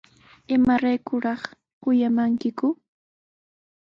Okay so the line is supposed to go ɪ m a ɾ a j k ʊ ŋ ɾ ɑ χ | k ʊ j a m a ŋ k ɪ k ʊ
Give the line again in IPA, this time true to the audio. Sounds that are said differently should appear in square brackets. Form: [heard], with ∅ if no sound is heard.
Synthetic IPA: ɪ m a ɾ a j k ʊ [∅] ɾ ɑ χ | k ʊ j a m a ŋ k ɪ k ʊ